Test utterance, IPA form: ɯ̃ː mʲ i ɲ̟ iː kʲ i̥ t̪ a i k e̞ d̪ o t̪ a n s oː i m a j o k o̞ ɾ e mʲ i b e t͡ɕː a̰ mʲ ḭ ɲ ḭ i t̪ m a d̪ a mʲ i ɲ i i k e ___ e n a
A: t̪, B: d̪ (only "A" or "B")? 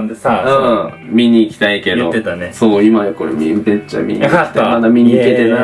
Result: A